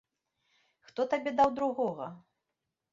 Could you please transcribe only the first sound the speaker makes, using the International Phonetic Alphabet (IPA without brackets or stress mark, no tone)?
x